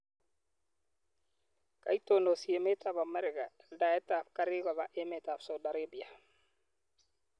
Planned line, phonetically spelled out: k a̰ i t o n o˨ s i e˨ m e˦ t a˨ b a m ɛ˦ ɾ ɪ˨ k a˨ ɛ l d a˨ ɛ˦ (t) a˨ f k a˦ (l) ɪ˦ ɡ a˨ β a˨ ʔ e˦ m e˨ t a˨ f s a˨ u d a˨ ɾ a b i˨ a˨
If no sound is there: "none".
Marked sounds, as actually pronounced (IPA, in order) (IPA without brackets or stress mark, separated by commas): t, ɾ